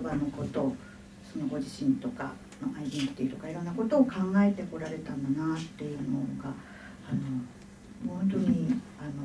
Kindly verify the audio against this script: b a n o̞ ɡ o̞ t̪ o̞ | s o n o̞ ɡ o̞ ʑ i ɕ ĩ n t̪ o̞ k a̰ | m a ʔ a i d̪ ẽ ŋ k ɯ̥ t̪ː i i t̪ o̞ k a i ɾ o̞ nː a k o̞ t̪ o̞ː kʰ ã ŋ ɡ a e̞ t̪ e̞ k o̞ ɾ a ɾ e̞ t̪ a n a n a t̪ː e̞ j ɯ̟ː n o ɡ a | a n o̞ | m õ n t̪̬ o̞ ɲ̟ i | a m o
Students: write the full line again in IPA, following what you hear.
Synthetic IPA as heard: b a n o̞ k o̞ t̪ o̞ | s o n o̞ ɡ o̞ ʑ i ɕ ĩ n t̪ o̞ k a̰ | m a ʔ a i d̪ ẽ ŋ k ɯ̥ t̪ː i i t̪ o̞ k a i ɾ o̞ nː a k o̞ t̪ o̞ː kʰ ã ŋ ɡ a e̞ t̪ e̞ k o̞ ɾ a ɾ e̞ t̪ a n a n a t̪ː e̞ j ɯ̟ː n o ɡ a | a n o̞ | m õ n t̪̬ o̞ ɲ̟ i | a n o

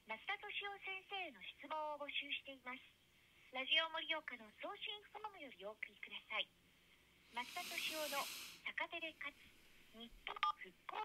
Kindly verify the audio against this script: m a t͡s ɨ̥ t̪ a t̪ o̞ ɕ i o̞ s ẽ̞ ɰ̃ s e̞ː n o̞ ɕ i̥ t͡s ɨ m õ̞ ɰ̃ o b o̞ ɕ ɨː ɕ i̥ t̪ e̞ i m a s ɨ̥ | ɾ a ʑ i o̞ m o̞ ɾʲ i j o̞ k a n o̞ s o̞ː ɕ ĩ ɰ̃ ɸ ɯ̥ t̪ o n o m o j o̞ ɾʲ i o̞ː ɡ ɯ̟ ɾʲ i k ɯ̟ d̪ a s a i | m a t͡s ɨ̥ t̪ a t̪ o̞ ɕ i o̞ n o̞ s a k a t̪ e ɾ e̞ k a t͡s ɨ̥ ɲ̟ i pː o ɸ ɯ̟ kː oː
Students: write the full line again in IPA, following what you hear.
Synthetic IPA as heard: m a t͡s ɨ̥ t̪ a t̪ o̞ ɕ i o̞ s ẽ̞ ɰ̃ s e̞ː n o̞ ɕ i̥ t͡s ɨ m õ̞ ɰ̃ o b o̞ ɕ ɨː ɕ i̥ t̪ e̞ i m a s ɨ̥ | ɾ a ʑ i o̞ m o̞ ɾʲ i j o̞ k a n o̞ s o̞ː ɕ ĩ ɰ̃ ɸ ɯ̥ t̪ o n o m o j o̞ ɾʲ i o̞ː k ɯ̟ ɾʲ i k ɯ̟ d̪ a s a i | m a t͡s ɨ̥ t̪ a t̪ o̞ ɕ i o̞ n o̞ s a k a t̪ e ɾ e̞ k a t͡s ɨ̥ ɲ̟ i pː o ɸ ɯ̟ kː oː

